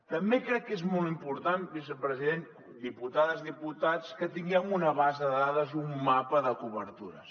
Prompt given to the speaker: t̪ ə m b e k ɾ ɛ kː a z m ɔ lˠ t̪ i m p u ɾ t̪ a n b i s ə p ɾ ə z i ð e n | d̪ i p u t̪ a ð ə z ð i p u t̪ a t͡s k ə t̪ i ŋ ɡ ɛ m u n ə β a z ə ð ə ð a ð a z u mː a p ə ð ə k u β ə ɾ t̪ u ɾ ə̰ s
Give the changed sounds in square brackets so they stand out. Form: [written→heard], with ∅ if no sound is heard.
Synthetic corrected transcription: t̪ ə m b e k ɾ ɛ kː [a→e] z m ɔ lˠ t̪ i m p u ɾ t̪ a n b i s ə p ɾ ə z i ð e n | d̪ i p u t̪ a ð ə z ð i p u t̪ a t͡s k ə t̪ i ŋ ɡ ɛ m u n ə β a z ə ð ə ð a ð [a→ə] z u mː a p ə ð ə k u β ə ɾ t̪ u ɾ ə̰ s